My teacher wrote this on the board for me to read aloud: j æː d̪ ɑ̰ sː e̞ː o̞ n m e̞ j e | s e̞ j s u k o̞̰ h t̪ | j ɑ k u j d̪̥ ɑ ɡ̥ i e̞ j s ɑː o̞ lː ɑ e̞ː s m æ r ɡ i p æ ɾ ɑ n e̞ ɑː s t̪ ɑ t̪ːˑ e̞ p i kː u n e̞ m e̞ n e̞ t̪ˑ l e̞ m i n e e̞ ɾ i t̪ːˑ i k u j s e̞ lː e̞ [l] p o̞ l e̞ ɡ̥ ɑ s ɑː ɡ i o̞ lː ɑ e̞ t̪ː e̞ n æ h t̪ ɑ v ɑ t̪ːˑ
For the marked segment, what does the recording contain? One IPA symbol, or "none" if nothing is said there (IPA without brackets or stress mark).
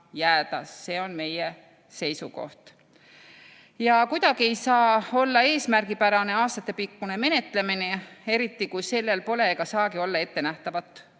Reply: l